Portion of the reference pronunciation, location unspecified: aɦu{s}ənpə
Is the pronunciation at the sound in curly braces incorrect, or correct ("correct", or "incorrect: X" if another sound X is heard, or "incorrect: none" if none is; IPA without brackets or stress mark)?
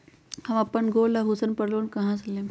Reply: correct